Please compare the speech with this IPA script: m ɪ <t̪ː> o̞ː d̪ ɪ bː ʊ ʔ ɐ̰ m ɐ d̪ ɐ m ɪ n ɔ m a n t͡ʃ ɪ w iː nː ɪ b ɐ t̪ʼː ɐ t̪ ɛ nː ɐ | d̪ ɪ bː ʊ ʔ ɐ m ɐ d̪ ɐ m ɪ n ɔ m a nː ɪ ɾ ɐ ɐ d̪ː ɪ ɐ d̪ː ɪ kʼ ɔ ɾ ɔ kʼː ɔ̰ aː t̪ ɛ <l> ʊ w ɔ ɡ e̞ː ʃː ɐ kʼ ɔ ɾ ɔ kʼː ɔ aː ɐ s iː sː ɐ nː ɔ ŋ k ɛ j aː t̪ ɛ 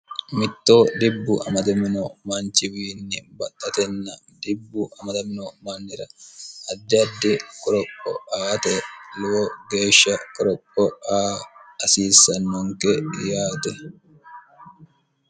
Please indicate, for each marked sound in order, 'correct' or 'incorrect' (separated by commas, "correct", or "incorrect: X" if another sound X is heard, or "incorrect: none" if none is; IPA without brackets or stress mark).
correct, correct